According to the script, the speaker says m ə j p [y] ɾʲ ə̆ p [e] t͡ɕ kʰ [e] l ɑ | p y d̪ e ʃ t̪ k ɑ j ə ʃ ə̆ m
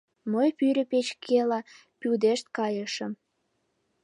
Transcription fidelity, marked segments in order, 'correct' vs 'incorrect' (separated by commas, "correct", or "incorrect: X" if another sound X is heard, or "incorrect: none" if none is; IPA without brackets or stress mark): correct, correct, correct